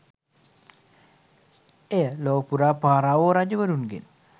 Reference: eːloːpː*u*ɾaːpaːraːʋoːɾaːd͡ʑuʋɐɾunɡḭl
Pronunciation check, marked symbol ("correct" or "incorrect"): correct